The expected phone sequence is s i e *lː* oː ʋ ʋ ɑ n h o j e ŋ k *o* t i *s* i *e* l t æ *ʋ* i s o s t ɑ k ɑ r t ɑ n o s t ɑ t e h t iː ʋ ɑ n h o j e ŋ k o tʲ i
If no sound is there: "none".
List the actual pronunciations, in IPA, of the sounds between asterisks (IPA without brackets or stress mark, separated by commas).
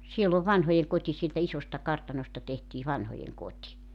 lː, o, s, e, none